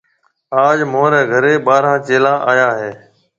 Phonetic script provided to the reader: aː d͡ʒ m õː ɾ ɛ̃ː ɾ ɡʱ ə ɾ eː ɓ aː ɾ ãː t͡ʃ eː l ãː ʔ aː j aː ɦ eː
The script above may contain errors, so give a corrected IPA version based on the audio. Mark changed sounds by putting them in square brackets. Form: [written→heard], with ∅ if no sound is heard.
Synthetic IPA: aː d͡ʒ m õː ɾ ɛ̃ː [ɾ→∅] ɡʱ ə ɾ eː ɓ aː ɾ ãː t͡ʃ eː l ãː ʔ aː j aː ɦ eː